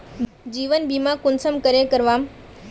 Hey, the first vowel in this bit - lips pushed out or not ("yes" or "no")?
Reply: no